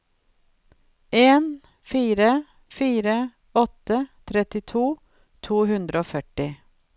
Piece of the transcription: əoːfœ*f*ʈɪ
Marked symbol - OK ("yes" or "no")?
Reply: no